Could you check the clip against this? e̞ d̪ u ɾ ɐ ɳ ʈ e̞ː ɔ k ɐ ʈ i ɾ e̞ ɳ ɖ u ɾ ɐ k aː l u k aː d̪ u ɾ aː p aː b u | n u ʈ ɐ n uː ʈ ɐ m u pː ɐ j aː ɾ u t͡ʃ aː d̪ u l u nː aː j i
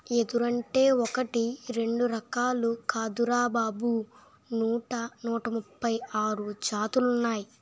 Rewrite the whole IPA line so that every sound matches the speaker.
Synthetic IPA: e̞ d̪ u ɾ ɐ ɳ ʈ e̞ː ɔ k ɐ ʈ i ɾ e̞ ɳ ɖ u ɾ ɐ k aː l u k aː d̪ u ɾ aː b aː b u | n uː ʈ ɐ n uː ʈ ɐ m u pː ɐ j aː ɾ u t͡ʃ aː t̪ u l u nː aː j i